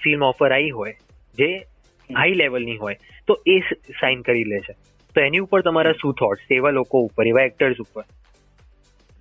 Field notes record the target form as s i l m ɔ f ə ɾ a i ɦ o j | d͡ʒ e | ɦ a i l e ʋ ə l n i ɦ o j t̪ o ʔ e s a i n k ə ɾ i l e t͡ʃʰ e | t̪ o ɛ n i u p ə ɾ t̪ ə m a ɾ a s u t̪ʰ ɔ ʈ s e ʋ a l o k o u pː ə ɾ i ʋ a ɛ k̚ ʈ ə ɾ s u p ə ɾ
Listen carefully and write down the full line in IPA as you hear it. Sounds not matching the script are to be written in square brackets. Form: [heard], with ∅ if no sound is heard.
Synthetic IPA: [f] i l m ɔ f ə ɾ a i ɦ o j | d͡ʒ e | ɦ a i l e ʋ ə l n i ɦ o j t̪ o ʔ e s a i n k ə ɾ i l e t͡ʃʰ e | t̪ o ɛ n i u p ə ɾ t̪ ə m a ɾ a s u t̪ʰ ɔ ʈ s e ʋ a l o k o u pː ə ɾ [e] ʋ a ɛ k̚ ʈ ə ɾ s u p ə ɾ